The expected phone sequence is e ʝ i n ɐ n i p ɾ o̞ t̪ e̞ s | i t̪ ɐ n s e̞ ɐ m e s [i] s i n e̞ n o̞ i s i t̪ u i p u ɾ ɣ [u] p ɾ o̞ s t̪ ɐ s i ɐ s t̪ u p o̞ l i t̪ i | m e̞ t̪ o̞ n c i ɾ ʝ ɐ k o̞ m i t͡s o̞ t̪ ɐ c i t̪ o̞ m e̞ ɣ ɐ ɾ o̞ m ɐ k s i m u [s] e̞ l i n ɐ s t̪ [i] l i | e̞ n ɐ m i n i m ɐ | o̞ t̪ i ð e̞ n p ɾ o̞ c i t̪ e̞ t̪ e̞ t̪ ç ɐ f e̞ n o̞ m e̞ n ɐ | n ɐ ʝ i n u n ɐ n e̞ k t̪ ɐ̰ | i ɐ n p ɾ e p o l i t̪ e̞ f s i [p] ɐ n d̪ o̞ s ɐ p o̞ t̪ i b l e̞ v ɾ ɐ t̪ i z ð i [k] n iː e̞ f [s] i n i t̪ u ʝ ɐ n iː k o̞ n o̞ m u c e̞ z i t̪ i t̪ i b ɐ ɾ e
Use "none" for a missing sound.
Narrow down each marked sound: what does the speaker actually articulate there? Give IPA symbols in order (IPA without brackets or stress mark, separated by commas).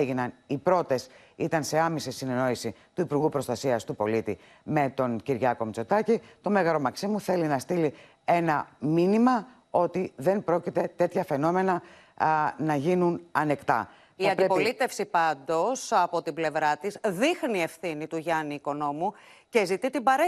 i, u, θ, i, p, x, θ